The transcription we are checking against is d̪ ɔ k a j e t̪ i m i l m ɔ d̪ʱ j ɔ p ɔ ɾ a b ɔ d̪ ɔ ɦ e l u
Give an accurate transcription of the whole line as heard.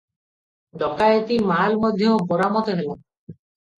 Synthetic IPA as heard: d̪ ɔ k a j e t̪ i m a l m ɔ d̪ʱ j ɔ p ɔ ɾ a m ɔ t̪ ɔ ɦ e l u